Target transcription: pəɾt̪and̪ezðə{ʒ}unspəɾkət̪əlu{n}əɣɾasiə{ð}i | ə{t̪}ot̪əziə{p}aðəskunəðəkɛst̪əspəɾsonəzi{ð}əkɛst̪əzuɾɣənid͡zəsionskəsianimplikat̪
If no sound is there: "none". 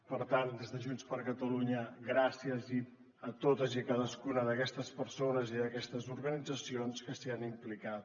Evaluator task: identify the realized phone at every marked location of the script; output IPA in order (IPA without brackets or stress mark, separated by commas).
ʒ, ɲ, z, t̪, k, ð